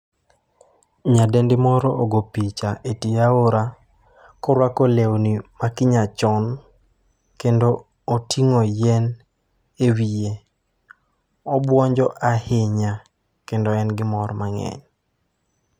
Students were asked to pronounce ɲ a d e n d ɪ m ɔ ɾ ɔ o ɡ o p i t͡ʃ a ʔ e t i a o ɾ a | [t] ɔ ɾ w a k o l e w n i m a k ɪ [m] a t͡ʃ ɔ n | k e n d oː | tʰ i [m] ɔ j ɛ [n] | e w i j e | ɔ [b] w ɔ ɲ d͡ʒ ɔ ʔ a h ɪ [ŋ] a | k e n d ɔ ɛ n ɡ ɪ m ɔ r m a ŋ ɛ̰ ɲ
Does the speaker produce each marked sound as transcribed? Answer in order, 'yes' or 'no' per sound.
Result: no, no, no, yes, yes, no

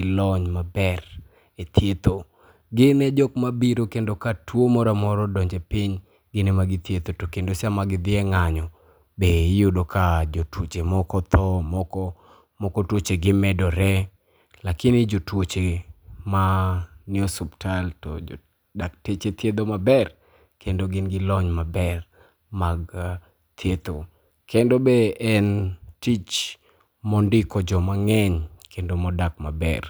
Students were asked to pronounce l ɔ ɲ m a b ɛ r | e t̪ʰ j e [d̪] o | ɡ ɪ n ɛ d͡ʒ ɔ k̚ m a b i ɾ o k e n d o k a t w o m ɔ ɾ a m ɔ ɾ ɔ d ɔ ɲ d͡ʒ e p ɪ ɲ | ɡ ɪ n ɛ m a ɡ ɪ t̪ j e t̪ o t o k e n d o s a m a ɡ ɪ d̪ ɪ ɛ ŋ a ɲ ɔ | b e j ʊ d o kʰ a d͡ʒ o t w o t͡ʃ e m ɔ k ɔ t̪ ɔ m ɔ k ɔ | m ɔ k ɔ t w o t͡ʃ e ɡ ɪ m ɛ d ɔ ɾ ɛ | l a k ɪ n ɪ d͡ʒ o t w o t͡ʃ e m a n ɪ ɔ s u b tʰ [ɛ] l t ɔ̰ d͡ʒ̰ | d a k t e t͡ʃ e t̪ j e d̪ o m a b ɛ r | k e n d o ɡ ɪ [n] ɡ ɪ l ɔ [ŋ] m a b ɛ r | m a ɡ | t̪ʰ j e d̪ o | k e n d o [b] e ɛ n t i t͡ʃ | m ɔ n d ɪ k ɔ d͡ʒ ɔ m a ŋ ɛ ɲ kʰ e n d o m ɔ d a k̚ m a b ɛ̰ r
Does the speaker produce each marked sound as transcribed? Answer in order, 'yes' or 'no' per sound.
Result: no, no, yes, no, yes

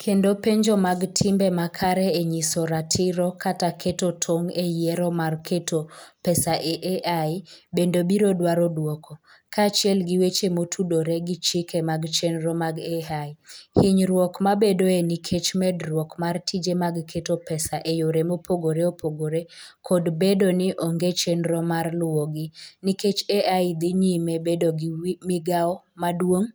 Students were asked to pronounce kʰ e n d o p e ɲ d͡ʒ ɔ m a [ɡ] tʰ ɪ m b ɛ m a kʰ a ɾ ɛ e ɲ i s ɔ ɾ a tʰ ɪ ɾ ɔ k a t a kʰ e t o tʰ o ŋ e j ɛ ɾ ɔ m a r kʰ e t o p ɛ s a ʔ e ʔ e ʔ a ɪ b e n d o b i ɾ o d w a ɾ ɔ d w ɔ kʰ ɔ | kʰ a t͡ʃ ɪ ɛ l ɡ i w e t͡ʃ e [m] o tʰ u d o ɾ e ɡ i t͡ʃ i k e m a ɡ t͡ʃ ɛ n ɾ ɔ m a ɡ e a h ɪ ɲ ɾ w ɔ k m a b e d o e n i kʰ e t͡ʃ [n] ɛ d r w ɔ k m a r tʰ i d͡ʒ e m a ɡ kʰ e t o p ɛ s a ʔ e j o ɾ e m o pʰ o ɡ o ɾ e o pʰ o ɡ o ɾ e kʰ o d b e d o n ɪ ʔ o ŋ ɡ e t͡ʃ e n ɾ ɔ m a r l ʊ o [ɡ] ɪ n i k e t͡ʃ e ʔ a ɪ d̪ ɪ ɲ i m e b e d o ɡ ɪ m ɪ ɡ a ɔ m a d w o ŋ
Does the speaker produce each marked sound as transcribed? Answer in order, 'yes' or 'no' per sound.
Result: yes, yes, no, yes

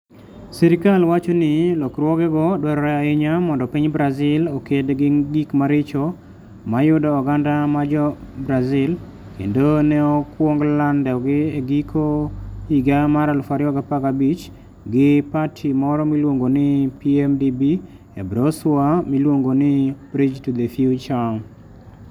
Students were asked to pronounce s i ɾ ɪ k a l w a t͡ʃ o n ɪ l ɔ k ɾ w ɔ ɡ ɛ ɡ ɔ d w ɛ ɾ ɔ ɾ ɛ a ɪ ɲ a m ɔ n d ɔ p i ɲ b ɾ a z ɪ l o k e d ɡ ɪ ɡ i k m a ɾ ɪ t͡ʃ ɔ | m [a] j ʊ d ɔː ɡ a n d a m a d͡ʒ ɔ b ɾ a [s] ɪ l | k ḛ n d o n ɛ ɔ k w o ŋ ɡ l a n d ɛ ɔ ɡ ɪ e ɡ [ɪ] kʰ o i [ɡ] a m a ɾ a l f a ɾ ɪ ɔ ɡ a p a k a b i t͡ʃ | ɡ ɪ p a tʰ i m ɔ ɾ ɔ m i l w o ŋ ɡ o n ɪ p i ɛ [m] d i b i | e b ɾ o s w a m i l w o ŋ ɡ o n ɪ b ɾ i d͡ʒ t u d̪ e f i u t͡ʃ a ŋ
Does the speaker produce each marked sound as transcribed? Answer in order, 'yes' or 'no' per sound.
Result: yes, no, no, yes, yes

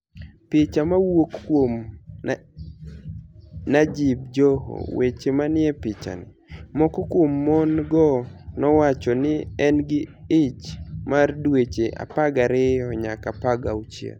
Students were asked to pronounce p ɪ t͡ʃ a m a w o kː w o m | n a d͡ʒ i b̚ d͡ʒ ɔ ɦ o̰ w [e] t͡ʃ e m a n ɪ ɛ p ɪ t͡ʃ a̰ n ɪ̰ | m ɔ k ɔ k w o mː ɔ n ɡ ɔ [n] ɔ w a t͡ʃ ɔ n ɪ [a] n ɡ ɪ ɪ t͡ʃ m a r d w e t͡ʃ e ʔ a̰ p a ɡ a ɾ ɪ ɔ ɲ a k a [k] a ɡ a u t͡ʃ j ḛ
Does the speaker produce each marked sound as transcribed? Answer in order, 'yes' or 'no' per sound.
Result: yes, yes, no, no

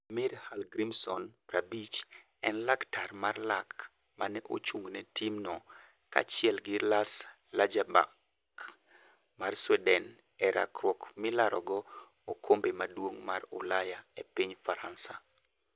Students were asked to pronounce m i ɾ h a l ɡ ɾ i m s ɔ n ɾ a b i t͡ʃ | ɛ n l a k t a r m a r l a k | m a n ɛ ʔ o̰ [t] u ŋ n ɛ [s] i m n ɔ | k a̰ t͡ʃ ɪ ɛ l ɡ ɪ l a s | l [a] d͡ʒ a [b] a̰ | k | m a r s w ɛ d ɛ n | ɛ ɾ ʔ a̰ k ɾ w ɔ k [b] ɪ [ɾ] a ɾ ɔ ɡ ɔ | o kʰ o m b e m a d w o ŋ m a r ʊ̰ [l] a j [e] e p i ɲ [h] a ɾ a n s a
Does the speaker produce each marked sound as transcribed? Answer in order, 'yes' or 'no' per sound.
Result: no, no, yes, yes, no, no, yes, no, no

